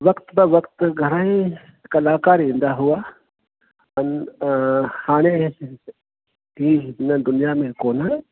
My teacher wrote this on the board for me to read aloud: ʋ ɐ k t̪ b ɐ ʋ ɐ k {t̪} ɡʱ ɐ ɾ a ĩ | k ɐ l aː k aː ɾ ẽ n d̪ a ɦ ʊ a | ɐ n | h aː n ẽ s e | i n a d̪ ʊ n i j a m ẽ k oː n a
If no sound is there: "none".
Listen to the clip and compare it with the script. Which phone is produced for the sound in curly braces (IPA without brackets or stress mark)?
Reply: t̪